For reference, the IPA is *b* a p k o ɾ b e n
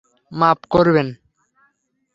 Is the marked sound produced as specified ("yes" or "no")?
no